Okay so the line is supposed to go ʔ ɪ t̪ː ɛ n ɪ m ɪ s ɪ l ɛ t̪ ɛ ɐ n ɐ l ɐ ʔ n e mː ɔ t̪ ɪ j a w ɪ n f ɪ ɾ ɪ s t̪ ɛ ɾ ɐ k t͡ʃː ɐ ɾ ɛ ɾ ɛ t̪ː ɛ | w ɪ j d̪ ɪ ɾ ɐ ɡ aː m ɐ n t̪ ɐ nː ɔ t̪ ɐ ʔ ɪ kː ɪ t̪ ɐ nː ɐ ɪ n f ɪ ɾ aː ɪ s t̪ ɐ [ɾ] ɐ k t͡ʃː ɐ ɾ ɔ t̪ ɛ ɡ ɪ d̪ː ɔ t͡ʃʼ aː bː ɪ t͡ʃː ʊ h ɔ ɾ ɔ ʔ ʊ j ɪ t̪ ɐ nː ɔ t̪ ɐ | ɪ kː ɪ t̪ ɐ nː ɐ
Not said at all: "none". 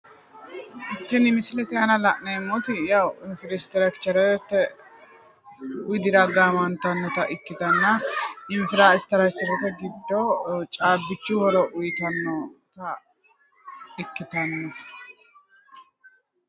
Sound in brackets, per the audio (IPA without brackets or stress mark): ɾ